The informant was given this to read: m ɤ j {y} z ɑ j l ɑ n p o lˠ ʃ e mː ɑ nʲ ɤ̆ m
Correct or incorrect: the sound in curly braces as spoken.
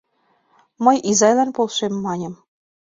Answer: incorrect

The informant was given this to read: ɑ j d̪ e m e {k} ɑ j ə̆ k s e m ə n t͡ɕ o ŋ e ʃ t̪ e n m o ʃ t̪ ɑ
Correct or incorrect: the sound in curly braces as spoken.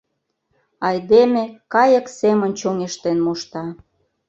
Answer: correct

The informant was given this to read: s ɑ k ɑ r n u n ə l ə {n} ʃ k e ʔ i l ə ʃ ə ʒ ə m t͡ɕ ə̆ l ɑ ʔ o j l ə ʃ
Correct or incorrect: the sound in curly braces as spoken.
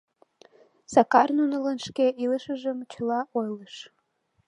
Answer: correct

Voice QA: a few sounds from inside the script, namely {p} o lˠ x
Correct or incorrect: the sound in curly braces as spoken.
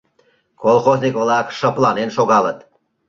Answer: incorrect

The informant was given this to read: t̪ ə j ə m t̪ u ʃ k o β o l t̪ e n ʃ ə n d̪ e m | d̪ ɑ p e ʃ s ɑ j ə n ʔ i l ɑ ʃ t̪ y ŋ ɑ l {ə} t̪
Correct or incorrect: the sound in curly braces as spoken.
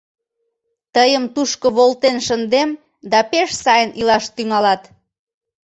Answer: incorrect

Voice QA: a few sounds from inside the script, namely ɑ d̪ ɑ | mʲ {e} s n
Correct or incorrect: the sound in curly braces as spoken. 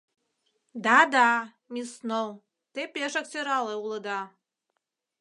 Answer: incorrect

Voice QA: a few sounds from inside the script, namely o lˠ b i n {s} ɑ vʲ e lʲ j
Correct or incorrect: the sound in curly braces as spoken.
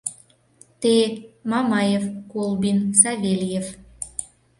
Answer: correct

